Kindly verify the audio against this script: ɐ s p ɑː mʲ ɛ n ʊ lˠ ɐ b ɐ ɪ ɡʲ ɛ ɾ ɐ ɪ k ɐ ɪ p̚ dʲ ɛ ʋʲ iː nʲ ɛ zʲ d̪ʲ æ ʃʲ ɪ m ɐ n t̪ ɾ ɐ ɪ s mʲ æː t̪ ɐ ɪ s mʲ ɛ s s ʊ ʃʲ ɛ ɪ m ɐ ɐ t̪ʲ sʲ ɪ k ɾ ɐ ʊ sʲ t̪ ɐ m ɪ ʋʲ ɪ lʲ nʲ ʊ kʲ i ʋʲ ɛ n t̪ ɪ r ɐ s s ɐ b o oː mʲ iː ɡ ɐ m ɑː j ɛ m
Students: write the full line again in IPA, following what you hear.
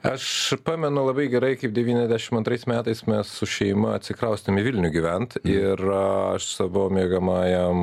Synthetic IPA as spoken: ɐ ʃ p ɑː mʲ ɛ n ʊ lˠ ɐ b ɐ ɪ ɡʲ ɛ ɾ ɐ ɪ k ɐ ɪ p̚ dʲ ɛ ʋʲ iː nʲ ɛ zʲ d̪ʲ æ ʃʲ ɪ m ɐ n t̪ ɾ ɐ ɪ s mʲ æː t̪ ɐ ɪ s mʲ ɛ s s ʊ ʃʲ ɛ ɪ m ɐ ɐ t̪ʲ sʲ ɪ k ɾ ɐ ʊ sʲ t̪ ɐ m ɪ ʋʲ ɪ lʲ nʲ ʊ ɡʲ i ʋʲ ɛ n t̪ ɪ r ɐ ʃ s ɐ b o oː mʲ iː ɡ ɐ m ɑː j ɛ m